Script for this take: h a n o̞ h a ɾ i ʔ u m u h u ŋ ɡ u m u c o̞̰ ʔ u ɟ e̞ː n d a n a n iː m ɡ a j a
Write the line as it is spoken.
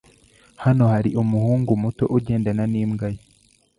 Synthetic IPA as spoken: h a n o̞ h a ɾ i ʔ u m u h uː ŋ ɡ u m u t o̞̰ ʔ u ɟ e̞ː n d a n a n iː m ɡ a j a